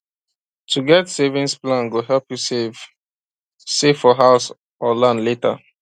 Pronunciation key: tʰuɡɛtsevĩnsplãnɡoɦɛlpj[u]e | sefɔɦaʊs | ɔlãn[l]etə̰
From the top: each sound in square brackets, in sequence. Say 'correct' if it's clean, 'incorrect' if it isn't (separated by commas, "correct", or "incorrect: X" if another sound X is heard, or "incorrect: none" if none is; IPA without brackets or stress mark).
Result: correct, correct